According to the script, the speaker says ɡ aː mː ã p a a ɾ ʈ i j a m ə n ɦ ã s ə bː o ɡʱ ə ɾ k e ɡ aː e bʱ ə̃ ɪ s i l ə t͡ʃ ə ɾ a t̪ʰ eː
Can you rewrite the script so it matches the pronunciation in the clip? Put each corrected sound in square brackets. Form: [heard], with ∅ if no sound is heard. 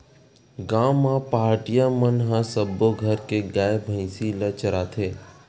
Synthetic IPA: ɡ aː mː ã p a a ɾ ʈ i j a m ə n ɦ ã s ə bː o ɡʱ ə ɾ k e ɡ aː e bʱ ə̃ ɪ s i l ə t͡ʃ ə ɾ a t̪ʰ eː